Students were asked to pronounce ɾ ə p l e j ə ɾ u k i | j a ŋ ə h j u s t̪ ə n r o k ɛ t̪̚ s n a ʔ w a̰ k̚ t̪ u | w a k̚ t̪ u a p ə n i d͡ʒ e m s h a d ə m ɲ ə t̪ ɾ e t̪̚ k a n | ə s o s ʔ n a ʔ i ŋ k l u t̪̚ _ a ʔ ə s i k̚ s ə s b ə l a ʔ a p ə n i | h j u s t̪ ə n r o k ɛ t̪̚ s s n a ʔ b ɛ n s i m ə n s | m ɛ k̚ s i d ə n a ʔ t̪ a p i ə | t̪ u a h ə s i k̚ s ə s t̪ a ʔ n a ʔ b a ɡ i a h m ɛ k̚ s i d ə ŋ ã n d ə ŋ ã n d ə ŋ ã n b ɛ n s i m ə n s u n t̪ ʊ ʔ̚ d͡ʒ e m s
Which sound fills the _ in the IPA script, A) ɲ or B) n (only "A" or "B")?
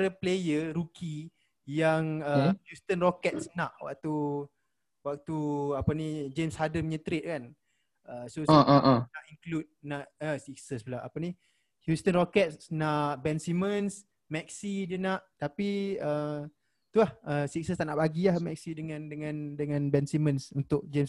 B